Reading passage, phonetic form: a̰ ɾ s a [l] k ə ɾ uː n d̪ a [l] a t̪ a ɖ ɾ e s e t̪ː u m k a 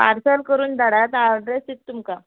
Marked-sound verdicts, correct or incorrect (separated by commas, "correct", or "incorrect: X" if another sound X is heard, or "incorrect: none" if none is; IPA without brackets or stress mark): correct, incorrect: ɽ